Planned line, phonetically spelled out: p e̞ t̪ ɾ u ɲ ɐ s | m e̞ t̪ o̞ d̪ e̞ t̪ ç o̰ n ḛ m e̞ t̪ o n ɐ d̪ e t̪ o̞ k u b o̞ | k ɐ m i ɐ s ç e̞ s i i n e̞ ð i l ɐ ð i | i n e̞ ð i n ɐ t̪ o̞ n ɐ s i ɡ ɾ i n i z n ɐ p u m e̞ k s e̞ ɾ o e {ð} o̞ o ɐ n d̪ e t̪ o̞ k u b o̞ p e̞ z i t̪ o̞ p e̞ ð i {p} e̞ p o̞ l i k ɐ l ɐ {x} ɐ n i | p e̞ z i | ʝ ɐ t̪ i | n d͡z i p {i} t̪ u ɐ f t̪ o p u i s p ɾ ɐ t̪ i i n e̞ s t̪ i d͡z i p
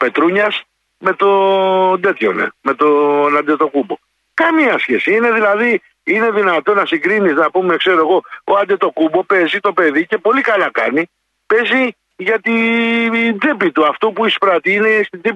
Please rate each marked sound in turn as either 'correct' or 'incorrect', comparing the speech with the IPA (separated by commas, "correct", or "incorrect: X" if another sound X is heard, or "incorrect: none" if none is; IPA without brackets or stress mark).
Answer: incorrect: ɣ, incorrect: c, incorrect: k, correct